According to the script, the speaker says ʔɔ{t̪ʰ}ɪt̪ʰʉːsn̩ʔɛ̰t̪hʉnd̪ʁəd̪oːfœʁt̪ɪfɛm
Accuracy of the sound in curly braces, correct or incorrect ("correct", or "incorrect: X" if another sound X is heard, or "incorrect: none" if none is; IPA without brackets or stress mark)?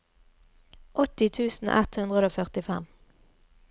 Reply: incorrect: t̪